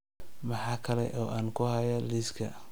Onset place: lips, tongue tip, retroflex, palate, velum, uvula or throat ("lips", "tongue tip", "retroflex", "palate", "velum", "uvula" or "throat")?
lips